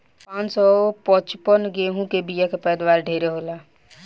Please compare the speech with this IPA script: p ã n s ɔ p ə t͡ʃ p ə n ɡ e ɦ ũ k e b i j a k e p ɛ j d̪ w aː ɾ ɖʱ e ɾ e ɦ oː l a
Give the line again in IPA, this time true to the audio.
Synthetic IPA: p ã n s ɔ p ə t͡ʃ p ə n ɡ e ɦ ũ k e b i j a k e p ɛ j d̪ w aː ɾ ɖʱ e ɾ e ɦ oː l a